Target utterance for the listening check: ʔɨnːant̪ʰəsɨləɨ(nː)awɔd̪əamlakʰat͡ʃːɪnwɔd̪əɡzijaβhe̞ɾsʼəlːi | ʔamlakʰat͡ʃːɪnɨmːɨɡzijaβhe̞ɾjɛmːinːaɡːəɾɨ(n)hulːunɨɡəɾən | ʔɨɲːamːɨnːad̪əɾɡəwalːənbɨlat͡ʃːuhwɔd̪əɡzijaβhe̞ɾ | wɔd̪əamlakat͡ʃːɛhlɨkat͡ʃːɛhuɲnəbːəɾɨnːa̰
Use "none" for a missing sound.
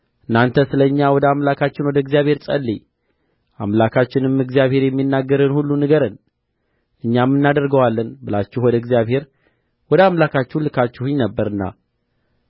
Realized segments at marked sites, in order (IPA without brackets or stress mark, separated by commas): ɲː, n